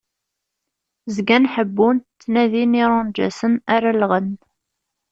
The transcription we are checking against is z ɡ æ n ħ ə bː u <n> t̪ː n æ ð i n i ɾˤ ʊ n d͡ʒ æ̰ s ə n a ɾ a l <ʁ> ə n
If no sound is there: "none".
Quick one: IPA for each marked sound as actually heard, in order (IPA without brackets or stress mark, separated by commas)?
n, ʁ